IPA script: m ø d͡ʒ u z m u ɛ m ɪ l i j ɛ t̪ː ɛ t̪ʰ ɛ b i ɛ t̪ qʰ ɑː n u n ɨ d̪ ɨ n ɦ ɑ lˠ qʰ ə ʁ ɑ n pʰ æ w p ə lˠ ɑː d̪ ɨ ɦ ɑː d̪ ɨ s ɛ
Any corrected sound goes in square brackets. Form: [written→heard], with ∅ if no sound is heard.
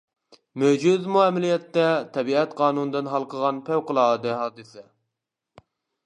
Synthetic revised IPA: m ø d͡ʒ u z m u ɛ m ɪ l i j ɛ t̪ː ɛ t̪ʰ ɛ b i ɛ t̪ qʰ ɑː n u n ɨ d̪ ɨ n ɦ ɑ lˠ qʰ ə ʁ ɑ n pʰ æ w [p→q] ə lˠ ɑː d̪ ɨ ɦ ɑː d̪ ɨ s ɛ